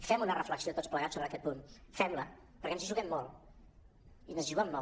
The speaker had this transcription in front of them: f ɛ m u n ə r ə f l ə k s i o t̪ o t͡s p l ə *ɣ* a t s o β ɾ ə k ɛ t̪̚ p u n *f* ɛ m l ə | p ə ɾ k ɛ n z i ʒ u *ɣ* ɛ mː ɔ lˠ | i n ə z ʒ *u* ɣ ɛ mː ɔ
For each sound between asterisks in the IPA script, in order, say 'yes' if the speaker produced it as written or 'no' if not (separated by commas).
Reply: yes, yes, yes, yes